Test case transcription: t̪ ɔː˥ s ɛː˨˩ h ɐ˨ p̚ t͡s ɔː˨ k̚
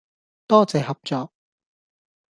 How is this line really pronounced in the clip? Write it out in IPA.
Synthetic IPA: t̪ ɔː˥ t͡s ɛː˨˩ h ɐ˨ p̚ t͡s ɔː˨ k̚